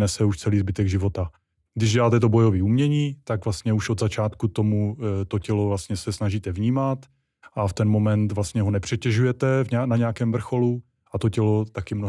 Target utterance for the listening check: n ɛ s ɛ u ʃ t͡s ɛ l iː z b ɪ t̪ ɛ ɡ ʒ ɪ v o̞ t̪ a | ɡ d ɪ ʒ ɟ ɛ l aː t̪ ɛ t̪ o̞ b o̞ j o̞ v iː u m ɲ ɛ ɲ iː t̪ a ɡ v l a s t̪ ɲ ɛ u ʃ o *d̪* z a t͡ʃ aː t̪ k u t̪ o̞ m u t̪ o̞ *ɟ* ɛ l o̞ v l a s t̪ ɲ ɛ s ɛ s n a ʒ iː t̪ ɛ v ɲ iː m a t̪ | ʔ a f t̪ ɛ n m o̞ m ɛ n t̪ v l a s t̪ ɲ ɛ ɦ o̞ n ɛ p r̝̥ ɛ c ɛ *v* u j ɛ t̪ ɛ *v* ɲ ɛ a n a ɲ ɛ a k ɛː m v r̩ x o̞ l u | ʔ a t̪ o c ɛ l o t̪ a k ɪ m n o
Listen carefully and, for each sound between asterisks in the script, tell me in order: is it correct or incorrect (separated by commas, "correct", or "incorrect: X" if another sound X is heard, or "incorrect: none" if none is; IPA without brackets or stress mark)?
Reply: correct, incorrect: c, incorrect: ʒ, correct